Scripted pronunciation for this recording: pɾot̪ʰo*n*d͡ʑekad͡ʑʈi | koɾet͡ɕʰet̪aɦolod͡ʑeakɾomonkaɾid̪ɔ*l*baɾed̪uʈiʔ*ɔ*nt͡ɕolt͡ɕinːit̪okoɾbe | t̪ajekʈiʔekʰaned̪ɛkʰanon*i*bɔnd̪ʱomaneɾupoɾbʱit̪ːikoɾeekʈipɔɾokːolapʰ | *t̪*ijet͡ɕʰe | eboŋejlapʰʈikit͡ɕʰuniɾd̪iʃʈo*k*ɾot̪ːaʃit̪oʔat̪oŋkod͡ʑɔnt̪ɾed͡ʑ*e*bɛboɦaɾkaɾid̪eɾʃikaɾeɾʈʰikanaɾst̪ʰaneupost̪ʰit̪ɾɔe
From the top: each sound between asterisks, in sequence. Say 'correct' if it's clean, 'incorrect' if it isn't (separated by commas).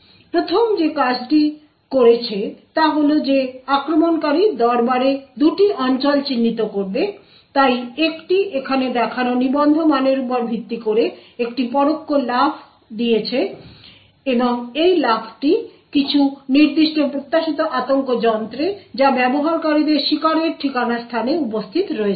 incorrect, incorrect, correct, correct, incorrect, incorrect, incorrect